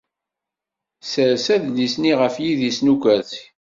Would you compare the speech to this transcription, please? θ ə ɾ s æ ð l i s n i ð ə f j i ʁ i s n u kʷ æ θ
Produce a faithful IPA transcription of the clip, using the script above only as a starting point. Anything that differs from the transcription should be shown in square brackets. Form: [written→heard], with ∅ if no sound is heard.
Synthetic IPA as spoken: [θ→s] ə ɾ s æ ð l i s n i [ð→ʁ] ə f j i [ʁ→ð] i s n u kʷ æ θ